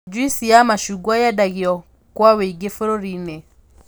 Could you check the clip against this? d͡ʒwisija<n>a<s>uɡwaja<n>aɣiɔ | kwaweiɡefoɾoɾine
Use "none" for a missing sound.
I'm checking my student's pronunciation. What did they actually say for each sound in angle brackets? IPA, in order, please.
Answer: m, ʃ, d

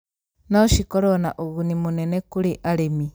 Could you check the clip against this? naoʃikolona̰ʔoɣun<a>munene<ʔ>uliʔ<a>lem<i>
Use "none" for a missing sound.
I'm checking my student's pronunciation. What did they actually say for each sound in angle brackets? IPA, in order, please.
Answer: i, k, a, i

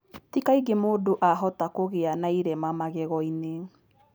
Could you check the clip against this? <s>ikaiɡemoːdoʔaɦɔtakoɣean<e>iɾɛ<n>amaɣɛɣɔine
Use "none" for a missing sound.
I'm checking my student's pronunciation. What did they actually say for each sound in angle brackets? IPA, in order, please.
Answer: t, a, m

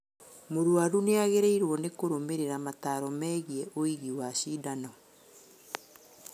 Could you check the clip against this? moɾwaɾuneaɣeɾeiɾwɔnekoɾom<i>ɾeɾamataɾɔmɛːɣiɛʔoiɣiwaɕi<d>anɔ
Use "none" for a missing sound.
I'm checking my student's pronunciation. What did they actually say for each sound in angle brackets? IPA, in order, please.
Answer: e, d

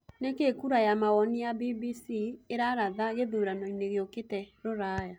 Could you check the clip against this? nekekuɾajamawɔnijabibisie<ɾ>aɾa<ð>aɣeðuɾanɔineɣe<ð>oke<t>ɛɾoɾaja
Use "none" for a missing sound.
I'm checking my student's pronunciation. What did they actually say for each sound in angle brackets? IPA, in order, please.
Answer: ɾ, ð, none, t

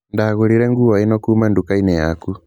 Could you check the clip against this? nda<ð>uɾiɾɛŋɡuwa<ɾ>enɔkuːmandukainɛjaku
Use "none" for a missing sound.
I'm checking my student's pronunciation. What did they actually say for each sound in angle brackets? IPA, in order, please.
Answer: ɣ, none

